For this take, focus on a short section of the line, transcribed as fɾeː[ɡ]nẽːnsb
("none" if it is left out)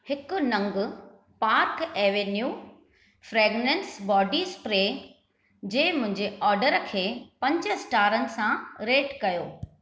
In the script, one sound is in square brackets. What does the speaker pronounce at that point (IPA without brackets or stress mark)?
ɡ